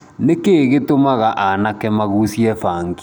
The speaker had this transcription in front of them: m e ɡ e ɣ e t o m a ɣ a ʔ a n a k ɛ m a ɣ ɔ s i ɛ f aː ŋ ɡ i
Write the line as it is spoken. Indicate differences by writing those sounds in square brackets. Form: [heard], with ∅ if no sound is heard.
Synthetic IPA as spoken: [n] e [k] e ɣ e t o m a ɣ a ʔ a n a k ɛ m a ɣ [u] s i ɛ f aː ŋ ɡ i